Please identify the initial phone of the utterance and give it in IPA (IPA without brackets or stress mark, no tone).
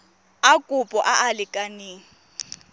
a